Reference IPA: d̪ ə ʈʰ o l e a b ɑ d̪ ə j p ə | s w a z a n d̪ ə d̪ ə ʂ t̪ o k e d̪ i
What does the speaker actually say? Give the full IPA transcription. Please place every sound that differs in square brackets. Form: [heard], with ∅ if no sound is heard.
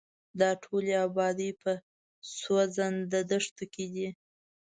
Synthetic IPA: d̪ [ɑ] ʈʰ o l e a b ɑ d̪ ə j p ə | s w a z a n d̪ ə d̪ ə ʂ t̪ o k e d̪ i